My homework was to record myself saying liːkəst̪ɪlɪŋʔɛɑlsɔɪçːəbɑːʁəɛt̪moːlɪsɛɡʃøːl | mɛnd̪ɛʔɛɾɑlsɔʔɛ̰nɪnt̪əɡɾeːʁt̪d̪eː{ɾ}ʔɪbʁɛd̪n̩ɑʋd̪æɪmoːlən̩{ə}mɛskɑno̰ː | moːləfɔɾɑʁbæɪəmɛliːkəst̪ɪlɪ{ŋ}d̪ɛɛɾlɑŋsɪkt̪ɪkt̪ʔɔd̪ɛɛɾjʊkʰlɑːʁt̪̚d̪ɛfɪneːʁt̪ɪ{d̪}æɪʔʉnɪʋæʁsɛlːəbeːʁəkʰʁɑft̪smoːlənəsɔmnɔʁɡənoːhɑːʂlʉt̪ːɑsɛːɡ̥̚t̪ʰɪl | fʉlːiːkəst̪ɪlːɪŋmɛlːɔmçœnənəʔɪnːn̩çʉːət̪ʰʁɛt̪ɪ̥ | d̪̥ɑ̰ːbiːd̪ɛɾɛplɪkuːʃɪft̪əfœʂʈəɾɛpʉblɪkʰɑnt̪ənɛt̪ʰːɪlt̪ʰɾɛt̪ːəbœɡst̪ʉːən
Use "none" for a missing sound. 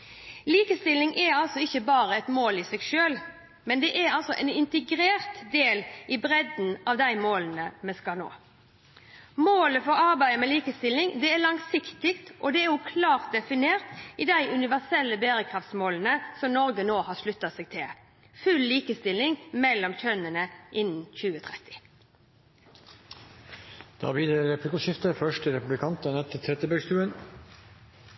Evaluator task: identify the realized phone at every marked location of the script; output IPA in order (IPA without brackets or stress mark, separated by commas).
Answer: l, ə, ŋ, d̪